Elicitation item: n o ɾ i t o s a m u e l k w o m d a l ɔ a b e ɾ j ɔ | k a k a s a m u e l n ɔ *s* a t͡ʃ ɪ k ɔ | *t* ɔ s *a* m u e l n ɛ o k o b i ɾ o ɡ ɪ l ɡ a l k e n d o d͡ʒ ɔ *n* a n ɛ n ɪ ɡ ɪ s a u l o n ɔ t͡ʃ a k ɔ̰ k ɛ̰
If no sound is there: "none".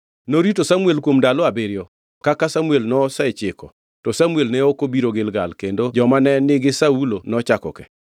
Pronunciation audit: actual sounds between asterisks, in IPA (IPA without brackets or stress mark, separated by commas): s, t, a, m